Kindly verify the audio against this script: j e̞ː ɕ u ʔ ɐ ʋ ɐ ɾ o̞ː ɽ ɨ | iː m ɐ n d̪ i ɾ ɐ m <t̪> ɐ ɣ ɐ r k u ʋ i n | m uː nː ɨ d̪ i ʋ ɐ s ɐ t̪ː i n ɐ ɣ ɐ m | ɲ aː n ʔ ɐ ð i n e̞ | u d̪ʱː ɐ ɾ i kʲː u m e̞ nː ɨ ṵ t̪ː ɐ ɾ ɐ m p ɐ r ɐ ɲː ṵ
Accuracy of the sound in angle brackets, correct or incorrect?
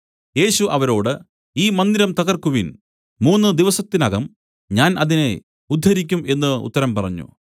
correct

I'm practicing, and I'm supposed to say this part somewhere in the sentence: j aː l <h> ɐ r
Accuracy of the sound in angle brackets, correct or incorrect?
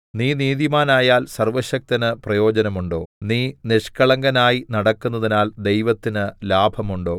incorrect: s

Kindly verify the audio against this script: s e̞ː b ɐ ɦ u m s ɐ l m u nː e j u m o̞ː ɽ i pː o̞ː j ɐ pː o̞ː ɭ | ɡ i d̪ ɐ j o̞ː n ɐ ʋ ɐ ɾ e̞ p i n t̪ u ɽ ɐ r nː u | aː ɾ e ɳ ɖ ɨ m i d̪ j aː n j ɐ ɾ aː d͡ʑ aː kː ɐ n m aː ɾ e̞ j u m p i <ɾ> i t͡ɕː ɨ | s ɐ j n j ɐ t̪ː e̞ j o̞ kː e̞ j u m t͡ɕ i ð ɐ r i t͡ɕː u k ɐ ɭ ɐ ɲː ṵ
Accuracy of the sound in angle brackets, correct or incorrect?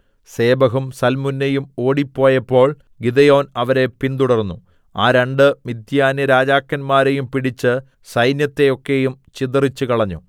incorrect: ɽ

